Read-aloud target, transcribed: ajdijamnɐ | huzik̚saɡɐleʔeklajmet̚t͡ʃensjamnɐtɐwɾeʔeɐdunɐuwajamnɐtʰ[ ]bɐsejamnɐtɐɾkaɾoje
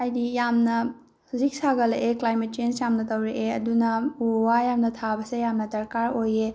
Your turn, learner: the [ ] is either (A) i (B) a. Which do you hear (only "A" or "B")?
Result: B